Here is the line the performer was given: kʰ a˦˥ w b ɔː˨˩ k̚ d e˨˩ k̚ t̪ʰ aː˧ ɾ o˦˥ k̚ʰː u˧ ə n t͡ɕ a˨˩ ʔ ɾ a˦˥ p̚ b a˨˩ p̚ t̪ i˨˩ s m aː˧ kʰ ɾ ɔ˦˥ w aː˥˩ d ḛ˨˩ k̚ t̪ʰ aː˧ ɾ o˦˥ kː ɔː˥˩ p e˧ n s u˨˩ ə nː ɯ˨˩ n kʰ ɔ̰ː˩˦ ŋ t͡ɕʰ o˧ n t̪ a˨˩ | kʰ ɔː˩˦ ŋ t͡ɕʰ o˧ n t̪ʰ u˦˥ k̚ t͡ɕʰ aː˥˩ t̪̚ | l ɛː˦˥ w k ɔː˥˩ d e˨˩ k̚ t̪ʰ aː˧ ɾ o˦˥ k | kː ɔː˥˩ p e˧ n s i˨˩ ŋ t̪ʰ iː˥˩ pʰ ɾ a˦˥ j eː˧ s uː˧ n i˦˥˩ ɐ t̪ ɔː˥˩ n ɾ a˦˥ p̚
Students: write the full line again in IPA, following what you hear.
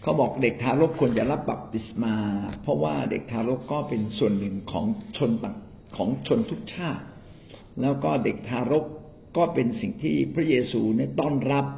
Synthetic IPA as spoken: kʰ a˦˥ w b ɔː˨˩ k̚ d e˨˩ k̚ t̪ʰ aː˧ ɾ o˦˥ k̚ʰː u˧ ə n t͡ɕ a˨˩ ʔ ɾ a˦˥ p̚ b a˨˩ p̚ t̪ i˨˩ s m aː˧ pʰ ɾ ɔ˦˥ w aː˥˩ d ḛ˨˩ k̚ t̪ʰ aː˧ ɾ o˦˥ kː ɔː˥˩ p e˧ n s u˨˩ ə nː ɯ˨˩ ŋ kʰ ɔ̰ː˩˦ ŋ t͡ɕʰ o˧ n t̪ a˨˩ | kʰ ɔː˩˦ ŋ t͡ɕʰ o˧ n t̪ʰ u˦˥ k̚ t͡ɕʰ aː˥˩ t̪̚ | l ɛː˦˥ w k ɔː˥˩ d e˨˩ k̚ t̪ʰ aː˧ ɾ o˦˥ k | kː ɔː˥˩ p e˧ n s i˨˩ ŋ t̪ʰ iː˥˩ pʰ ɾ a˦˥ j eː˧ s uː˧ n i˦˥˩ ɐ t̪ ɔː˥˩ n ɾ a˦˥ p̚